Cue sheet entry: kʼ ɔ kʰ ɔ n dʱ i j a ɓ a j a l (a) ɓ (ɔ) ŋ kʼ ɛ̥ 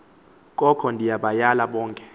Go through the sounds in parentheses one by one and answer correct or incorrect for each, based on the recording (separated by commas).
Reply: correct, incorrect